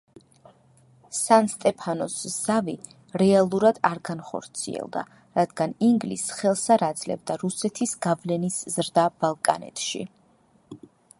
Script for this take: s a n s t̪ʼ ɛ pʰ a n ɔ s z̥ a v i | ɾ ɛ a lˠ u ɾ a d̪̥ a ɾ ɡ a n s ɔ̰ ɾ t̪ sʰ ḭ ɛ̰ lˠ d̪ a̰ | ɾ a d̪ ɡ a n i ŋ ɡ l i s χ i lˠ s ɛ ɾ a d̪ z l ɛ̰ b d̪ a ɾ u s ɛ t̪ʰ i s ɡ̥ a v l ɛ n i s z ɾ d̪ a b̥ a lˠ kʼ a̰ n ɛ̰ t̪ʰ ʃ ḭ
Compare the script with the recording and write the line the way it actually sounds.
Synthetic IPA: s a n s t̪ʼ ɛ pʰ a n ɔ s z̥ a v i | ɾ ɛ a lˠ u ɾ a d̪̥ a ɾ ɡ a n χ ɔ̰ ɾ t̪ sʰ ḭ ɛ̰ lˠ d̪ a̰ | ɾ a d̪ ɡ a n i ŋ ɡ l i s χ ɛ lˠ s a ɾ a d̪ z l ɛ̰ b d̪ a ɾ u s ɛ t̪ʰ i s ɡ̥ a v l ɛ n i s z ɾ d̪ a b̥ a lˠ kʼ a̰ n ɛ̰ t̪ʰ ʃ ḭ